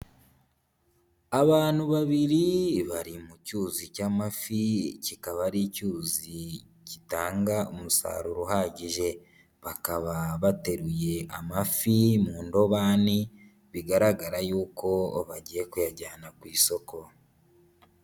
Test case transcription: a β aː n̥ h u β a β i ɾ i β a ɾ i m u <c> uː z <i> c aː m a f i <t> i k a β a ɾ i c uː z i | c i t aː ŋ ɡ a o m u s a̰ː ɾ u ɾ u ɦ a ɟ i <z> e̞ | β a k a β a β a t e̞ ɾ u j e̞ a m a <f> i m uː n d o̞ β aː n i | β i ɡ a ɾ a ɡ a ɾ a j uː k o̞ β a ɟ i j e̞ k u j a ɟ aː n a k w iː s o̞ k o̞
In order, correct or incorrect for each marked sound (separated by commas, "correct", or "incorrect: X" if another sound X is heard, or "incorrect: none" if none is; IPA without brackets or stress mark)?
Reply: correct, correct, incorrect: c, incorrect: ʒ, correct